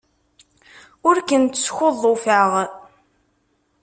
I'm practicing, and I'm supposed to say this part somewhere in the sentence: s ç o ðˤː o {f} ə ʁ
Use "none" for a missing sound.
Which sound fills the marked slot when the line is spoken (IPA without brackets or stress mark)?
f